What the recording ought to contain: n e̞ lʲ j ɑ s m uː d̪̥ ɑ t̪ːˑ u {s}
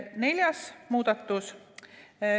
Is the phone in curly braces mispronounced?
no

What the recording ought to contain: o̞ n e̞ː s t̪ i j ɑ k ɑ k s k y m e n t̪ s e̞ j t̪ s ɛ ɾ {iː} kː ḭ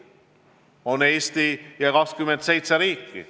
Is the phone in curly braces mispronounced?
no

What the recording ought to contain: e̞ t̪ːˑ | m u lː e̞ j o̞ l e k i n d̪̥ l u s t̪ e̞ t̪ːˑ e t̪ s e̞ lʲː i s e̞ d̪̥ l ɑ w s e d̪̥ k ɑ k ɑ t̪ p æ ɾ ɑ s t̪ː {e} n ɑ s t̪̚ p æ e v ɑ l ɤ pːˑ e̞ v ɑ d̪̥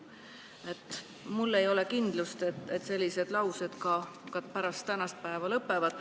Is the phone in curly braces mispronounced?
yes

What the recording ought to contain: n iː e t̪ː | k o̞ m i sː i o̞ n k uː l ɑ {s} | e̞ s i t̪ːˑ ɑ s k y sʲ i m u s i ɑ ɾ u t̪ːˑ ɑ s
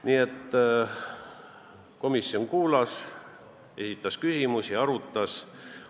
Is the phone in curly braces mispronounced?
no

